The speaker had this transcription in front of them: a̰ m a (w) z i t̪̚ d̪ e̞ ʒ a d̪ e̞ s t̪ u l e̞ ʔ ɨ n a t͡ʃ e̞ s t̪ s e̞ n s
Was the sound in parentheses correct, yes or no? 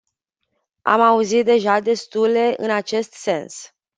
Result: no